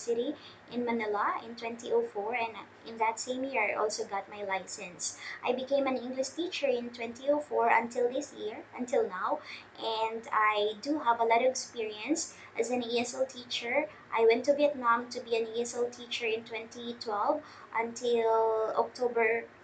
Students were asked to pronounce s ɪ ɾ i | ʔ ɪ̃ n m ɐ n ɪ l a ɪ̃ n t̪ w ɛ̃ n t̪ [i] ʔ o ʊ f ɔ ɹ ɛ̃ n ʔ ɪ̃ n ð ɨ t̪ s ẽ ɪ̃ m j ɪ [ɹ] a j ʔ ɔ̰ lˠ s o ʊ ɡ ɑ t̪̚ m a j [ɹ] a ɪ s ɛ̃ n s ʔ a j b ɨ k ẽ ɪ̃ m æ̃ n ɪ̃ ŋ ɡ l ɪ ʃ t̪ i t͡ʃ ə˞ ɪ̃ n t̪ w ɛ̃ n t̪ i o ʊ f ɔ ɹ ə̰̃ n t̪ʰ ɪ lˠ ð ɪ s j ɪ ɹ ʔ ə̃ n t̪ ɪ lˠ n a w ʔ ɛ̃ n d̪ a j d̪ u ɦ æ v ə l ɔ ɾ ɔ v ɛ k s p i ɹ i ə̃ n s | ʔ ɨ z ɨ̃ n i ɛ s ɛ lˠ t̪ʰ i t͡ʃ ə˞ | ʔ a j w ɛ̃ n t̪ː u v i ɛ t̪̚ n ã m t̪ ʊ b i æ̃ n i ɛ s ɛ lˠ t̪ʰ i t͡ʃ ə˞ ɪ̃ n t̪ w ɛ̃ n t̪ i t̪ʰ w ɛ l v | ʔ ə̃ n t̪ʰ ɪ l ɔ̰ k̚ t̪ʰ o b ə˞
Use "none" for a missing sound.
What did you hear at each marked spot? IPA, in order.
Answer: i, ɹ, l

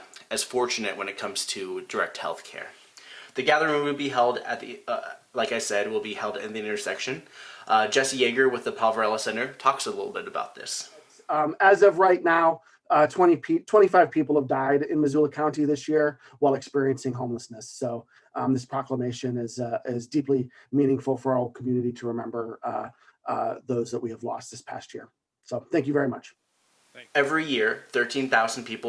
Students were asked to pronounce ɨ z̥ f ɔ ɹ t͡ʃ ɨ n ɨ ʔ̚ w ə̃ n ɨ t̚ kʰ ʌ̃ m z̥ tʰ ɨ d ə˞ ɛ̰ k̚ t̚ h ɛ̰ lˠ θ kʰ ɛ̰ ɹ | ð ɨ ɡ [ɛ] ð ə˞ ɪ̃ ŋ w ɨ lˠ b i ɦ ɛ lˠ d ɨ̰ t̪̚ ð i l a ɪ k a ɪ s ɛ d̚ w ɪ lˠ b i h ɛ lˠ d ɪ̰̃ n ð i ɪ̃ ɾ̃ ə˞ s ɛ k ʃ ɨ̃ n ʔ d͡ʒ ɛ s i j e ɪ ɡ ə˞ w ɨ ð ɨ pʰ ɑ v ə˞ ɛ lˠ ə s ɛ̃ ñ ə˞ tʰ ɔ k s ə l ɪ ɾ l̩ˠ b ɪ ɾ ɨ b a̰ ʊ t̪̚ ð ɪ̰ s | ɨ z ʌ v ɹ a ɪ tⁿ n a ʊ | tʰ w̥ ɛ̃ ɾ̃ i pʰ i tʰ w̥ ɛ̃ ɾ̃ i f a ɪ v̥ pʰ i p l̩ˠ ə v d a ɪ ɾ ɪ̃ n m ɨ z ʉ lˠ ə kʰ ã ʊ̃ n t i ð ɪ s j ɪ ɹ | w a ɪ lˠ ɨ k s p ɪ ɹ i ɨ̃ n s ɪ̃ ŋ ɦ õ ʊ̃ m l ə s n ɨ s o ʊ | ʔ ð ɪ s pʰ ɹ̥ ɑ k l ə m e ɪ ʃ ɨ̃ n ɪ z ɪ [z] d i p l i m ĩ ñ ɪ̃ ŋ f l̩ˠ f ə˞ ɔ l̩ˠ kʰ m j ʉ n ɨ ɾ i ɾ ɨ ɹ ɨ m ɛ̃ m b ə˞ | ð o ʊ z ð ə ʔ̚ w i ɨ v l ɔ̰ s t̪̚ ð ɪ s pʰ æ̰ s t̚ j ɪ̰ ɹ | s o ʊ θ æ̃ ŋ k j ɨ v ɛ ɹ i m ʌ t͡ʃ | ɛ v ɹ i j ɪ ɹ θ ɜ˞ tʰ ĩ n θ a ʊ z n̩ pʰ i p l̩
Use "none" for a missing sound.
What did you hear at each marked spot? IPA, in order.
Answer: æ, z

